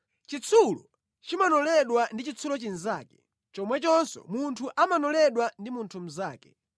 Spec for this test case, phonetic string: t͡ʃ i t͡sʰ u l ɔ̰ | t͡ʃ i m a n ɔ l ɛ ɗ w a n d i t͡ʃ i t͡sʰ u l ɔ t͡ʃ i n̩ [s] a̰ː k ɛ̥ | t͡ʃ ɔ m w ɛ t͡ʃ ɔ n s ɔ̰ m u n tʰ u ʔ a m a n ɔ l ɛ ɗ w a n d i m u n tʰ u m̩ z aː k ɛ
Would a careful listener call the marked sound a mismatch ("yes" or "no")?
yes